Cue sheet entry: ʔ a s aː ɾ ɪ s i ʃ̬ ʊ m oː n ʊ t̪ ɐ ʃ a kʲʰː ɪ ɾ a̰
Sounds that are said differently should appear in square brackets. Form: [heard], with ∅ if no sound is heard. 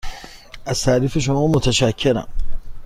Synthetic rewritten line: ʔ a s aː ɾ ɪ [f] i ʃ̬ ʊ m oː [m] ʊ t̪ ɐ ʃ a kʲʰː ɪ ɾ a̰

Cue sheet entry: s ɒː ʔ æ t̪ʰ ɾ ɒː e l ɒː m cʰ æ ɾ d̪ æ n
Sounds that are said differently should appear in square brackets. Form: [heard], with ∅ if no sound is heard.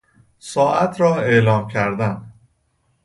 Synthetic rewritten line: s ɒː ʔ æ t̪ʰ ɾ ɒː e l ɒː m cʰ æ ɾ d̪ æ n

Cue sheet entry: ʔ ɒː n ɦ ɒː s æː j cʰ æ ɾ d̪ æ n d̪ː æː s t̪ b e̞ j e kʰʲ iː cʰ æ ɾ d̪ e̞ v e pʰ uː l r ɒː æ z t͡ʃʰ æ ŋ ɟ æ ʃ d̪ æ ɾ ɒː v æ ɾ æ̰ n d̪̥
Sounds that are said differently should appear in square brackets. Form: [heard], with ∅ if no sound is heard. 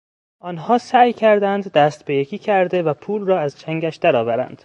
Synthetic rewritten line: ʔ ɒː n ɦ ɒː s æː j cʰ æ ɾ d̪ æ n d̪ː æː s t̪ b e̞ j e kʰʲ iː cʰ æ ɾ d̪ e̞ v [æ] pʰ uː l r ɒː æ z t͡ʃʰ æ ŋ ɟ æ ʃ d̪ æ ɾ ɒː v æ ɾ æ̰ n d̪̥

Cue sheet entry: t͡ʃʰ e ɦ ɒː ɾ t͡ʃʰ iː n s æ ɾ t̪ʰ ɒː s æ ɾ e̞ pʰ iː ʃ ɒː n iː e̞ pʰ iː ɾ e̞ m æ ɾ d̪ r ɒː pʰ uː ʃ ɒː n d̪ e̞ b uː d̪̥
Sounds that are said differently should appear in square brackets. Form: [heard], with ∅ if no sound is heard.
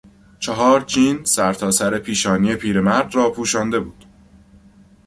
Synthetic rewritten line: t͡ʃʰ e ɦ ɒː ɾ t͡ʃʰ iː n s æ ɾ t̪ʰ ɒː s æ ɾ e̞ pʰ iː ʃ ɒː n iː e̞ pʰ iː ɾ e̞ m æ ɾ d̪ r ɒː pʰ uː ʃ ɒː n d̪ e̞ b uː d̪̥

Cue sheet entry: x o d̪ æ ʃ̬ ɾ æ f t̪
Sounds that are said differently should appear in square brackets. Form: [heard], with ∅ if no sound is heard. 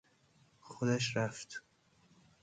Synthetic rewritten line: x o d̪ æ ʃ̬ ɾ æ f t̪

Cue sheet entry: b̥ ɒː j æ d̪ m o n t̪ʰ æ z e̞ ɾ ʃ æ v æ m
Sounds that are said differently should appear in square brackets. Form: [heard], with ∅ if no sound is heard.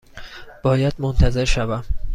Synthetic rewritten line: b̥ ɒː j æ d̪ m o n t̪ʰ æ z e̞ ɾ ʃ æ v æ m

